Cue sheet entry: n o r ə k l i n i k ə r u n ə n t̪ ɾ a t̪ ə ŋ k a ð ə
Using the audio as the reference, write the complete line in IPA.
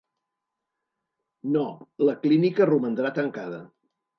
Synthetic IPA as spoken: n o l ə k l i n i k ə r u m ə n d̪ ɾ a t̪ ə ŋ k a ð ə